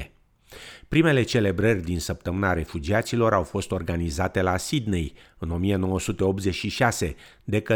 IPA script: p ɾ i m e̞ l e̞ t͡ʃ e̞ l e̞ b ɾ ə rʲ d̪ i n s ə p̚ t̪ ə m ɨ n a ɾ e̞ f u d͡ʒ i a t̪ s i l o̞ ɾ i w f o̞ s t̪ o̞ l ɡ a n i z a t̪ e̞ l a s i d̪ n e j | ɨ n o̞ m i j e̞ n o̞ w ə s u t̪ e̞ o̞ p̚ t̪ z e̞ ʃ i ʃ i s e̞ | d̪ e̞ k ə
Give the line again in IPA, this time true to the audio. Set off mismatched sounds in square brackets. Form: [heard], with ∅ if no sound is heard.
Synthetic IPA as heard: p ɾ i m e̞ l e̞ t͡ʃ e̞ l e̞ b ɾ ə rʲ d̪ i n s ə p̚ t̪ ə m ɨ n a ɾ e̞ f u d͡ʒ i a t̪ s i l o̞ ɾ [a] w f o̞ s t̪ o̞ [r] ɡ a n i z a t̪ e̞ l a s i d̪ n e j | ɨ n o̞ m i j e̞ n o̞ w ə s u t̪ e̞ o̞ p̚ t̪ z e̞ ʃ i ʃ [a] s e̞ | d̪ e̞ k ə